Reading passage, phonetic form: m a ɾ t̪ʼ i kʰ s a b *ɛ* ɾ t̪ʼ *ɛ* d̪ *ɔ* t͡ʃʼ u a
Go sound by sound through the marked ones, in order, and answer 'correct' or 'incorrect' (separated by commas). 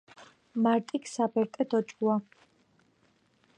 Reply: correct, correct, correct